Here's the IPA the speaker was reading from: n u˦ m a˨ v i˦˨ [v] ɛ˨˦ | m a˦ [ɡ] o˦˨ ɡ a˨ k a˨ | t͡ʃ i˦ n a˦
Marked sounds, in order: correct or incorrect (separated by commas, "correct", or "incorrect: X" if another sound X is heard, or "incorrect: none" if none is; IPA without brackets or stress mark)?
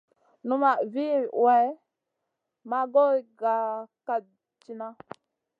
incorrect: w, correct